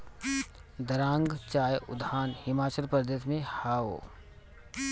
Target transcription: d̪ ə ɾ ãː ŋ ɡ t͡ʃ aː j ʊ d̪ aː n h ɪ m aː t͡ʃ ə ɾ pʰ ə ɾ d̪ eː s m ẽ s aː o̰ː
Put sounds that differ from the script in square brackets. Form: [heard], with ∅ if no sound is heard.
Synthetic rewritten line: d̪ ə ɾ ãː ŋ ɡ t͡ʃ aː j ʊ d̪ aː n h ɪ m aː t͡ʃ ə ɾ [p] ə ɾ d̪ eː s m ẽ [h] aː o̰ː

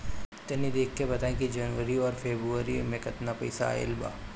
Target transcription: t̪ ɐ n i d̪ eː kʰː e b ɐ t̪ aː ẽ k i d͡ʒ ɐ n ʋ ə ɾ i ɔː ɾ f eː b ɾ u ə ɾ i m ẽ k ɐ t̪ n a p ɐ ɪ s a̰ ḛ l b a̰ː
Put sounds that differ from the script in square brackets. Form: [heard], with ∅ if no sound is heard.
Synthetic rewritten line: t̪ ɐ n i d̪ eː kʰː e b ɐ t̪ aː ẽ k i d͡ʒ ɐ n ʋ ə ɾ i ɔː ɾ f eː b ɾ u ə ɾ i m ẽ k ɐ t̪ n a p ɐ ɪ s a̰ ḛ l b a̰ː

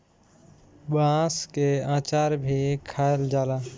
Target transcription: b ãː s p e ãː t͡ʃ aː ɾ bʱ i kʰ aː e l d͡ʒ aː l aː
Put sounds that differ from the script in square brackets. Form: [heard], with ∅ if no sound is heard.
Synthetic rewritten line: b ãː s [k] e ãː t͡ʃ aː ɾ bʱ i kʰ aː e l d͡ʒ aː l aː

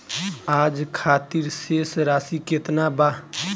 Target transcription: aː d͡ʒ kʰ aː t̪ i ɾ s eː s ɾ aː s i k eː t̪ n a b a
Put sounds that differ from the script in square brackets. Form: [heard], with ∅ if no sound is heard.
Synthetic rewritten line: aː d͡ʒ kʰ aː t̪ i ɾ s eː s ɾ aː s i k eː t̪ n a b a

